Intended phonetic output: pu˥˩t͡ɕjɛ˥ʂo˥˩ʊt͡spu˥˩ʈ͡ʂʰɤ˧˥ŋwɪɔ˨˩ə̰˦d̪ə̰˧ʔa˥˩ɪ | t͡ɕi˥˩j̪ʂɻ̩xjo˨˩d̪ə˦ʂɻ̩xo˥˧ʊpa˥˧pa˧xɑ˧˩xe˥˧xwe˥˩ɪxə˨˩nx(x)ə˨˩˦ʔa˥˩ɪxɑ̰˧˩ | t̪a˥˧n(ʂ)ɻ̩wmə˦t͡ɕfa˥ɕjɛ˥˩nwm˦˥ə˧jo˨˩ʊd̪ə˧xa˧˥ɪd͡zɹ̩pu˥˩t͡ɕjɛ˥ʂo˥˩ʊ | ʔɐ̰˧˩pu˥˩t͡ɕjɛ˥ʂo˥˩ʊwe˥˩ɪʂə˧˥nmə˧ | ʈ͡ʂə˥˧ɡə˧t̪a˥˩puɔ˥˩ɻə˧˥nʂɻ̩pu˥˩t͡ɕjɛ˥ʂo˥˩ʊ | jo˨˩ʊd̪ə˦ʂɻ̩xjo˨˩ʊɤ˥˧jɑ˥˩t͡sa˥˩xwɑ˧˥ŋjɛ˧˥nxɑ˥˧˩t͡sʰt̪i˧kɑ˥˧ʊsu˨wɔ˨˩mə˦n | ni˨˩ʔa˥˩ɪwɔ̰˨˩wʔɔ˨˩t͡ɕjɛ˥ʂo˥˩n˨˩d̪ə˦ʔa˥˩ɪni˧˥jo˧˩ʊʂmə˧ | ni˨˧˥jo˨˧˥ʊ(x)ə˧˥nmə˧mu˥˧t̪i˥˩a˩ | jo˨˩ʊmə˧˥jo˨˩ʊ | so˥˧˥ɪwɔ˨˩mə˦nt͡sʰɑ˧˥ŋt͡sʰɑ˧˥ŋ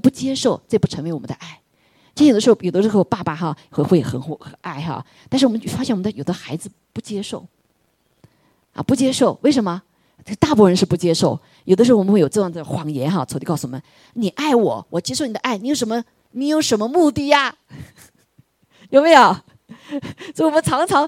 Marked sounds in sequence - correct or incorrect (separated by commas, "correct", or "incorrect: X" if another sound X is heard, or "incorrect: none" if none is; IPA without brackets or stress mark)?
correct, correct, incorrect: ʂ